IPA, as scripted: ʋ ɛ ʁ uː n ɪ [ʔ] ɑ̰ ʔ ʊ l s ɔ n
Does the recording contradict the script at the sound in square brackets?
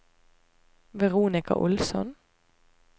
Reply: yes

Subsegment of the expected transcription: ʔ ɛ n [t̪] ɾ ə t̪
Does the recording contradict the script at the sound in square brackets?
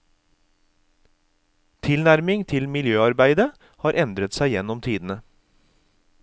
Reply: yes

